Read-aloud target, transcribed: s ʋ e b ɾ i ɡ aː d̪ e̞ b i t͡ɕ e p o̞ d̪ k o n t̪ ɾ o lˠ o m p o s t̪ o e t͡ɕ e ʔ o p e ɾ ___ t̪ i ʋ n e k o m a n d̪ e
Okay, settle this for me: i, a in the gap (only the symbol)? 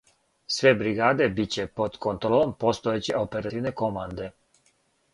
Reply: a